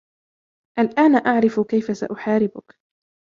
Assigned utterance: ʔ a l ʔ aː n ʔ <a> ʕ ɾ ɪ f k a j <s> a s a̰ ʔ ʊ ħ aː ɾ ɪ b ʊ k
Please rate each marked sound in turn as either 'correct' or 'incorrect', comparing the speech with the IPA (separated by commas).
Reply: correct, incorrect